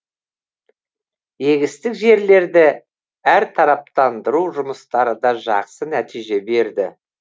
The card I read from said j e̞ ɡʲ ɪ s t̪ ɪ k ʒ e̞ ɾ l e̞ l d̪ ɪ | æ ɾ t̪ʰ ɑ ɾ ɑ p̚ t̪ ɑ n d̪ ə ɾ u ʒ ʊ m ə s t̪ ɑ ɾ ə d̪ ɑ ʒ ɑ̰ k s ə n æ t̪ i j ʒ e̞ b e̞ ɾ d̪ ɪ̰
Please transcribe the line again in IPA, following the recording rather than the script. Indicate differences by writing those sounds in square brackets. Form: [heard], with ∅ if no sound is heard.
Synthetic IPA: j e̞ ɡʲ ɪ s t̪ ɪ k ʒ e̞ ɾ l e̞ [ɾ] d̪ ɪ | æ ɾ t̪ʰ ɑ ɾ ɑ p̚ t̪ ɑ n d̪ ə ɾ u ʒ ʊ m ə s t̪ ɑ ɾ ə d̪ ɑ ʒ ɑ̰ [q] s ə n æ t̪ i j ʒ e̞ b e̞ ɾ d̪ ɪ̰